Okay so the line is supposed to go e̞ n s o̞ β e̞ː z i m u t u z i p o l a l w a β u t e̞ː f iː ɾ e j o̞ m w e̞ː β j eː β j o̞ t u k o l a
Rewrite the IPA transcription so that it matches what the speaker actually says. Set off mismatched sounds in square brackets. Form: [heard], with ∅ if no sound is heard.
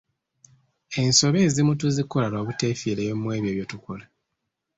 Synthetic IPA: e̞ n s o̞ β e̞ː z i m u t u z i [k] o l a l w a β u t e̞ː f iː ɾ e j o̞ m w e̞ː β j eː β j o̞ t u k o l a